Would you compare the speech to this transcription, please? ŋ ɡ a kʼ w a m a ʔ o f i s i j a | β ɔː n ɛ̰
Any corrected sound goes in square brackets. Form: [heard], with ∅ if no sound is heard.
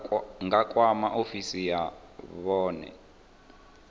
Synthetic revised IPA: ŋ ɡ a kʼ w a m a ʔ o f i s i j a | β ɔː n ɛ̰